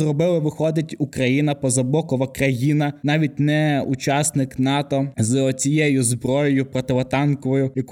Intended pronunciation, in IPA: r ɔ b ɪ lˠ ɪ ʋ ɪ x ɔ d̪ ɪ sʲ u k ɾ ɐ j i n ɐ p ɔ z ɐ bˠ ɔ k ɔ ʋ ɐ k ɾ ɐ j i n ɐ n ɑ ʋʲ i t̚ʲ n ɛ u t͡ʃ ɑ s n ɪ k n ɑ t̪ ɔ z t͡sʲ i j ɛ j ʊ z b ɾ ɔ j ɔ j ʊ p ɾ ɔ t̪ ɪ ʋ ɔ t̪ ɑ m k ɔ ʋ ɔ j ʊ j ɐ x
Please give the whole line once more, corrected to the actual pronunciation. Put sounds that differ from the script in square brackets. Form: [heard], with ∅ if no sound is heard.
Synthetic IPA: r ɔ b ɪ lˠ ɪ ʋ ɪ x ɔ d̪ ɪ [tʲ] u k ɾ ɐ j i n ɐ p ɔ z ɐ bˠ ɔ k ɔ ʋ ɐ k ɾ ɐ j i n ɐ n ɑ ʋʲ i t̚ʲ n ɛ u t͡ʃ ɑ s n ɪ k n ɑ t̪ ɔ z t͡sʲ i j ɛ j ʊ z b ɾ ɔ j ɔ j ʊ p ɾ ɔ t̪ ɪ ʋ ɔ t̪ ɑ [n] k ɔ ʋ ɔ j ʊ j ɐ [k]